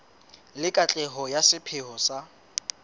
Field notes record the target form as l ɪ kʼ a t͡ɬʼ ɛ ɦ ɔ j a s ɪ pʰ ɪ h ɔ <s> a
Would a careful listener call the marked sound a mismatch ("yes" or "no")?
no